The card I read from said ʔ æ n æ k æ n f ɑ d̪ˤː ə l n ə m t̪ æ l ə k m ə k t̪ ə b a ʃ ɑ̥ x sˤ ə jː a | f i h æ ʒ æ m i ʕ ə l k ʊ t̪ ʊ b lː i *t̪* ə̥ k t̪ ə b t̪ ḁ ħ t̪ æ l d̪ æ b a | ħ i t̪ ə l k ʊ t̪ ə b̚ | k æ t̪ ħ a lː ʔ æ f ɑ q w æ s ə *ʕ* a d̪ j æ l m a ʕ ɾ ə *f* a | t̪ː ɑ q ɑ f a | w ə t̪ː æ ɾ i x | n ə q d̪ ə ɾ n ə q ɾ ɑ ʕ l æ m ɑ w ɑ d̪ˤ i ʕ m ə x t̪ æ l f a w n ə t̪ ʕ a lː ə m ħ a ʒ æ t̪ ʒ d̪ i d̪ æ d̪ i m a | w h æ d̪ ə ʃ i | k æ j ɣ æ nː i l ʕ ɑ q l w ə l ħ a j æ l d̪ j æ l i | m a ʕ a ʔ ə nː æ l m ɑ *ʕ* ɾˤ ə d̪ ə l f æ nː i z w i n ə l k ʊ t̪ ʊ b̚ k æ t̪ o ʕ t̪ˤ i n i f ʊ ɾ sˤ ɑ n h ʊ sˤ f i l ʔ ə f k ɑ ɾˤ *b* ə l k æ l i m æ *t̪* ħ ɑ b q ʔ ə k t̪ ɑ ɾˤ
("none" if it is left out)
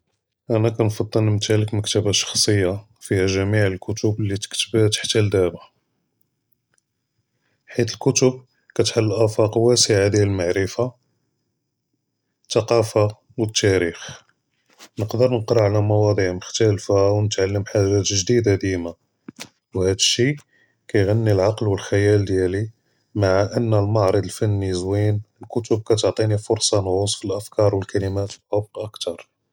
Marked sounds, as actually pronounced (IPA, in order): t̪, ʕ, f, ʕ, w, t̪

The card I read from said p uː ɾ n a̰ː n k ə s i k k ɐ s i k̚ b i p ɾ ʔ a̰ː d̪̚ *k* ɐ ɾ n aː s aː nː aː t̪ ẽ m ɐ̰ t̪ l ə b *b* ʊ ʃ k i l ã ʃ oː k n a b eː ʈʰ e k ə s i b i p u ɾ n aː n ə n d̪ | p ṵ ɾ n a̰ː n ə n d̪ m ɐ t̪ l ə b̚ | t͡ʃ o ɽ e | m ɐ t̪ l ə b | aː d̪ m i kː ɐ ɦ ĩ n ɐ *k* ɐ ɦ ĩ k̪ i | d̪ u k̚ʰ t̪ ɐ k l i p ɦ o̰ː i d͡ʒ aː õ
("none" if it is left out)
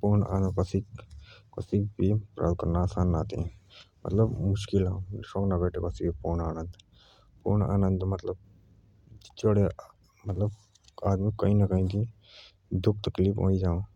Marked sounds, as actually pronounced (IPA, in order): k, m, k

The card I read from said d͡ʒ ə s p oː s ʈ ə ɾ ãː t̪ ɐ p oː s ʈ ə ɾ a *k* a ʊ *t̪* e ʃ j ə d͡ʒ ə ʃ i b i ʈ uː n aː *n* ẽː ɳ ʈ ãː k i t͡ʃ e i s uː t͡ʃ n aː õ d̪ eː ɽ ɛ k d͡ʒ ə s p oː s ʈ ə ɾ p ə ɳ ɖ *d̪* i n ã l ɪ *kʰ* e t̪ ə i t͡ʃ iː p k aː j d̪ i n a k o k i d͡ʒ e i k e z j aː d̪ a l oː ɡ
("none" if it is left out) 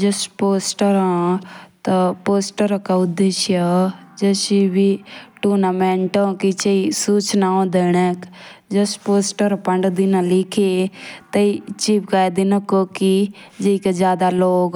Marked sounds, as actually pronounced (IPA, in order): k, d̪, m, d̪, kʰ

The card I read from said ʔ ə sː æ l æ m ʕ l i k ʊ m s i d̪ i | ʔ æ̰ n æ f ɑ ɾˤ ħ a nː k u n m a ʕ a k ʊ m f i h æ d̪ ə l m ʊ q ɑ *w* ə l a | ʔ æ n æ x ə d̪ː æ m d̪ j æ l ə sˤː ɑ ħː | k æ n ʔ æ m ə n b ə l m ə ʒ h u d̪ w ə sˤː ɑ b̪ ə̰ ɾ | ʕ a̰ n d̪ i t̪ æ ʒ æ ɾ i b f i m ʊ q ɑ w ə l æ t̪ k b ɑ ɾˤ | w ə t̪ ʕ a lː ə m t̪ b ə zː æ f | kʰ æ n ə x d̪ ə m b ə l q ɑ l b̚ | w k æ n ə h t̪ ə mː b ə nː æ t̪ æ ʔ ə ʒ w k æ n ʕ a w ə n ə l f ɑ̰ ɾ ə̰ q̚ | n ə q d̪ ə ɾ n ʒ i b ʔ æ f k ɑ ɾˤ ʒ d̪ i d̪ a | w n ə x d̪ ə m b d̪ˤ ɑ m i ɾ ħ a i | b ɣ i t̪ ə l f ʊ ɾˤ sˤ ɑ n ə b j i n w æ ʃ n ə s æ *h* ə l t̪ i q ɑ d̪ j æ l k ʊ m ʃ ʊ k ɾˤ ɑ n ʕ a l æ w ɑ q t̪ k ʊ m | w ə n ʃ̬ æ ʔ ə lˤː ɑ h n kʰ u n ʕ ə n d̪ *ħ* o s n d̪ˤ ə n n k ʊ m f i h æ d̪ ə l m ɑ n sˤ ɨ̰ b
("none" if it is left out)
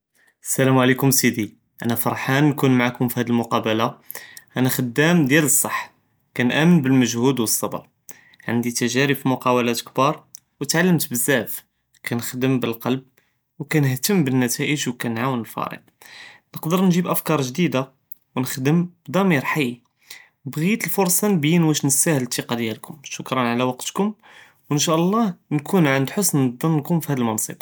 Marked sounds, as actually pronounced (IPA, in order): b, h, ħ

